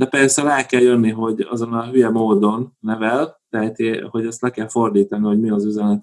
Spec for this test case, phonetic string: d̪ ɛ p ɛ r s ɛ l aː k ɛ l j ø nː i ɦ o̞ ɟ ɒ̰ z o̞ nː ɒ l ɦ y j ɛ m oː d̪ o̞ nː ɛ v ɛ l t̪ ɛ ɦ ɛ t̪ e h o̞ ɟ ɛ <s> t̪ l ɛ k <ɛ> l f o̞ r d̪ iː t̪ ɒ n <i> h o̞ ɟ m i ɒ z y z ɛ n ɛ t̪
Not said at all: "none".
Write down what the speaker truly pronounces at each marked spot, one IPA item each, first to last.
s, ɛ, i

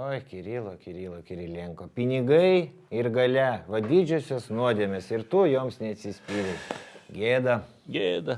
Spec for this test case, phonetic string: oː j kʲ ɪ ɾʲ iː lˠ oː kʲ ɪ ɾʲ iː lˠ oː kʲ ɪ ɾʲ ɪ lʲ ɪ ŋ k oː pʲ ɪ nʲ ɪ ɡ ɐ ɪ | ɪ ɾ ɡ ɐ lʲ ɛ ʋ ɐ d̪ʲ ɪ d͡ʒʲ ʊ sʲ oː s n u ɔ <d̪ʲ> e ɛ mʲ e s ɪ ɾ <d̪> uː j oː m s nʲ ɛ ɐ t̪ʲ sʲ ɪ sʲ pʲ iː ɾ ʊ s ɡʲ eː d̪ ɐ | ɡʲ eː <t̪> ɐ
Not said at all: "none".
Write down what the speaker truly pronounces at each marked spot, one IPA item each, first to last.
d̪ʲ, t̪, d̪

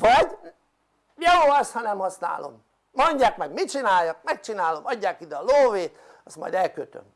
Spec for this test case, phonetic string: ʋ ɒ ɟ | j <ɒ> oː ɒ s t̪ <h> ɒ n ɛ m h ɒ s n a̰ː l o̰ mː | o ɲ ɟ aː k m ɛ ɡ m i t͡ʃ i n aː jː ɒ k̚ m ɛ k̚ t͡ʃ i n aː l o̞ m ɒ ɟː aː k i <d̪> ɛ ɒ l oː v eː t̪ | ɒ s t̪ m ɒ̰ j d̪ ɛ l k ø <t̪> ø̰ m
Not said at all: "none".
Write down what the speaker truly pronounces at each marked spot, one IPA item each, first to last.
o, h, d̪, t̪

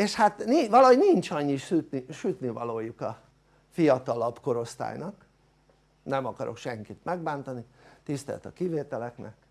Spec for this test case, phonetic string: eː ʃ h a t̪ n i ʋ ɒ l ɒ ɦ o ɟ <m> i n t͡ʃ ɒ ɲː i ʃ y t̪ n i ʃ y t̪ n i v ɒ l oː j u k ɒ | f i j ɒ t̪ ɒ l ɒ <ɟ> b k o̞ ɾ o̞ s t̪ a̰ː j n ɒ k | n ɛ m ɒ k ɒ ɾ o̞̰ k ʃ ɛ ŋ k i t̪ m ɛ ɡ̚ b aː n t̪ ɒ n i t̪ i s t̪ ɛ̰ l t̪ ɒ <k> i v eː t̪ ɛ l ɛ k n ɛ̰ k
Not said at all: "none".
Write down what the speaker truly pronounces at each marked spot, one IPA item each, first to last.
n, none, k

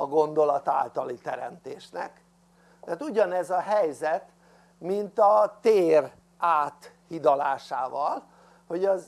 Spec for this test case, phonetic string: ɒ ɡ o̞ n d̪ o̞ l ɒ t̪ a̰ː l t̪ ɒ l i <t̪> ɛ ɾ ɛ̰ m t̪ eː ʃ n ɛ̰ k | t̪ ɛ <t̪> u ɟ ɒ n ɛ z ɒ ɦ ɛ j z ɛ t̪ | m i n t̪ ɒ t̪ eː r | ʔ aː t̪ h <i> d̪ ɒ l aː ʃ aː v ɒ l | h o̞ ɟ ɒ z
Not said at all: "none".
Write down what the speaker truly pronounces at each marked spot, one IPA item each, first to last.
t̪, t̪, i

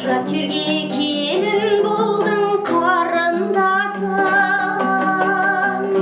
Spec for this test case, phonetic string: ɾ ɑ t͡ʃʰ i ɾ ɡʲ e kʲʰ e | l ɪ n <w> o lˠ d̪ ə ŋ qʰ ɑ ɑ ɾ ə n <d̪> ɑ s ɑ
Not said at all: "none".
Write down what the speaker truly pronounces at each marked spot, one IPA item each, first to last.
b, d̪

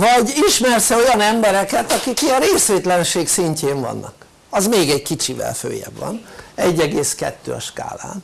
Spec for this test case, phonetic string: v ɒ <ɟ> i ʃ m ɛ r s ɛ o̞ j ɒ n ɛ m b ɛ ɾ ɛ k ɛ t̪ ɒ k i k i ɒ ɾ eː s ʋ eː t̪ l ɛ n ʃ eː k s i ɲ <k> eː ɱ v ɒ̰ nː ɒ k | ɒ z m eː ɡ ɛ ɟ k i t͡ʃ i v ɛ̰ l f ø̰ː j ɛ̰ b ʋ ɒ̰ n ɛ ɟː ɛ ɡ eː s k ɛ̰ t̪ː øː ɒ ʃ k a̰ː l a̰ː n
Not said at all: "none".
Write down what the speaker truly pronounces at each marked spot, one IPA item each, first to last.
ɟ, c

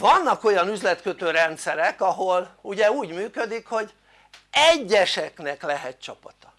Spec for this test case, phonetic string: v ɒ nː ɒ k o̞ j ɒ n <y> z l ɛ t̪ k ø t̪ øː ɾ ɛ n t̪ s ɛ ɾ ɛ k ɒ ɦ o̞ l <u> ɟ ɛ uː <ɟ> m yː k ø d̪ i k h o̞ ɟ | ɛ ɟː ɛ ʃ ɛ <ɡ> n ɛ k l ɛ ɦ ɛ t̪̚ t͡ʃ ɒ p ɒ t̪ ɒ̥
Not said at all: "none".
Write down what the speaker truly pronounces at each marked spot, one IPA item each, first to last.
y, u, ɟ, k

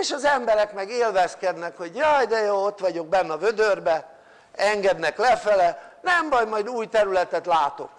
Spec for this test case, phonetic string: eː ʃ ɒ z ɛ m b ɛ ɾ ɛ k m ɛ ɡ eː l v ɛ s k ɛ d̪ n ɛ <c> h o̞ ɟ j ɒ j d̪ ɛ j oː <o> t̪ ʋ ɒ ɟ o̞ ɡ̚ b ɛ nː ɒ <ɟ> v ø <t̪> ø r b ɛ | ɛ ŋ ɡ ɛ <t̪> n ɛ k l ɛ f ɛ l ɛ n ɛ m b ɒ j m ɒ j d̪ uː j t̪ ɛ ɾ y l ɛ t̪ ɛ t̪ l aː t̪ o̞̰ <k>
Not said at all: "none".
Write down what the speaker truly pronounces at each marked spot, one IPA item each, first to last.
k, o, none, d̪, d̪, k

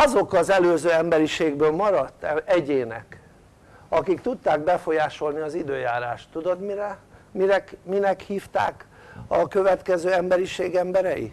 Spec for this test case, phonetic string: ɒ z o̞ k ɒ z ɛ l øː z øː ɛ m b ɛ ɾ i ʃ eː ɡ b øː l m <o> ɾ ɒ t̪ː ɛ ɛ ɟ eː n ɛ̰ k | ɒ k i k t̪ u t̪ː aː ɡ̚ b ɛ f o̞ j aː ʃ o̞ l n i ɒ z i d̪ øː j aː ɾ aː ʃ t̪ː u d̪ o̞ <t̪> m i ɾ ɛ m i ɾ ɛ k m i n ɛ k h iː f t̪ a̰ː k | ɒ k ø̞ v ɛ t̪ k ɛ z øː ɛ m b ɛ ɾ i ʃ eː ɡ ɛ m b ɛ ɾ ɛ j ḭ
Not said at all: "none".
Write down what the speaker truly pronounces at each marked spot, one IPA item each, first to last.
ɒ, d̪

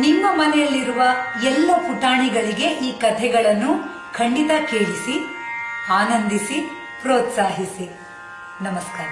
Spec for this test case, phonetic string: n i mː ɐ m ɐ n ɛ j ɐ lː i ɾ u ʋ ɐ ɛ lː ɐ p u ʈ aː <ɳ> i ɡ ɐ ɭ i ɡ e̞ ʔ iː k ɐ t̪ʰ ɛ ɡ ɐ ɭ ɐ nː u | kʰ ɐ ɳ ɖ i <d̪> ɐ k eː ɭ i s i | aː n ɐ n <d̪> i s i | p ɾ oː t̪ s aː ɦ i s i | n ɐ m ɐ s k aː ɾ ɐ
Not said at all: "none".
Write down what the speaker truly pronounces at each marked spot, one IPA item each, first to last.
ɳ, t̪, d̪

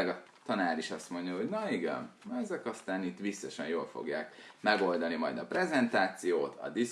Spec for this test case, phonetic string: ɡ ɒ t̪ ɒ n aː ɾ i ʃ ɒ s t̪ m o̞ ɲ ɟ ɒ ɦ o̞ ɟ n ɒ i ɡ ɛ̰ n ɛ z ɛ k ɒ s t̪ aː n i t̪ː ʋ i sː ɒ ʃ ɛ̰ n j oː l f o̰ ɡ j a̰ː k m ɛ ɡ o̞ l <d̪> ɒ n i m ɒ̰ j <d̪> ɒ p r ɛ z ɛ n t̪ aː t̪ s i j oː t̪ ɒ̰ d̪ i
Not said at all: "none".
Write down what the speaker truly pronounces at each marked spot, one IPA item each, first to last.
d̪, d̪

